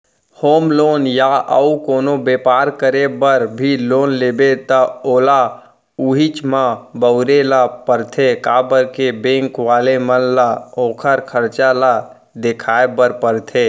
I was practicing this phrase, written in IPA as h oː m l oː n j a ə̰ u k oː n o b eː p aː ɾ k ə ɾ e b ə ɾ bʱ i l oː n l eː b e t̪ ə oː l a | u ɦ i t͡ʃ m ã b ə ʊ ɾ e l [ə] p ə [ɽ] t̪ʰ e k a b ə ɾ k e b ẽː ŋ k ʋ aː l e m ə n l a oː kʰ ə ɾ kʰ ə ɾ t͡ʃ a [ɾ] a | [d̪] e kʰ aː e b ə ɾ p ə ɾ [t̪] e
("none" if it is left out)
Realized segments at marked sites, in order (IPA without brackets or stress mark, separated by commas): a, ɾ, l, d̪, t̪ʰ